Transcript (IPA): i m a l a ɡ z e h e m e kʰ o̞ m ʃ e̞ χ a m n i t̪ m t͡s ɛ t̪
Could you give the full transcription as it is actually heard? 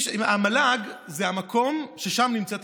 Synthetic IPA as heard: a m a l a ɡ z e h a m a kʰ o̞ m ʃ e̞ ʃ a m n i m t͡s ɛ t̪